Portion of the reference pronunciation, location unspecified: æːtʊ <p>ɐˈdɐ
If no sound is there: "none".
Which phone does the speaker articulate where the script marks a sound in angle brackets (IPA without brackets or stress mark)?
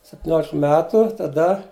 t